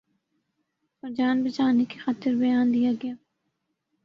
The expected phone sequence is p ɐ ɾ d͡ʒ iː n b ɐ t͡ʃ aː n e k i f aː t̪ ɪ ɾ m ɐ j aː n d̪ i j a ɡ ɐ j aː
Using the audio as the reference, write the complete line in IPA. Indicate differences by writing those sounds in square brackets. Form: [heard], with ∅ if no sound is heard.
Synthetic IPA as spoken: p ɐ ɾ d͡ʒ [aː] n b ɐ t͡ʃ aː n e k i [x] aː t̪ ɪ ɾ [b] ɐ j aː n d̪ i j a ɡ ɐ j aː